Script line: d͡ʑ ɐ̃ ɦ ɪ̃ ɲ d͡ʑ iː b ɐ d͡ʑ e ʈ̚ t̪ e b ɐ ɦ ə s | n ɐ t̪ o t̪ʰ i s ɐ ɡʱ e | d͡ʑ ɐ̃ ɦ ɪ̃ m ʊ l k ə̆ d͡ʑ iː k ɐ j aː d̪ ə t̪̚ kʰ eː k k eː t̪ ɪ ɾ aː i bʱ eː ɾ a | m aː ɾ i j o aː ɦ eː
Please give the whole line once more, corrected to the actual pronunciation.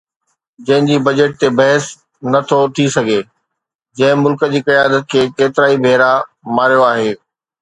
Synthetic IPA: d͡ʑ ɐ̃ ɦ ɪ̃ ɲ d͡ʑ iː b ɐ d͡ʑ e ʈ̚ t̪ e b ɐ ɦ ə s | n ɐ t̪ʰ o t̪ʰ i s ɐ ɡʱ e | d͡ʑ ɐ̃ ɦ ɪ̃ m ʊ l k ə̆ d͡ʑ iː k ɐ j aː d̪ ə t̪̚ kʰ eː k k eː t̪ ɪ ɾ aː i bʱ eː ɾ a | m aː ɾ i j o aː ɦ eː